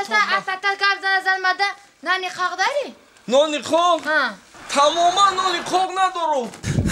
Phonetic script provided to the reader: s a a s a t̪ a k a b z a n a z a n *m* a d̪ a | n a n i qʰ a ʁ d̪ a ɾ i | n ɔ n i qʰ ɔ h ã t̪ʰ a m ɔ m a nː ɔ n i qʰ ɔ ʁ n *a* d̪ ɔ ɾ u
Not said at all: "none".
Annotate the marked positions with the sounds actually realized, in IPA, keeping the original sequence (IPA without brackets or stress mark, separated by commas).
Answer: m, a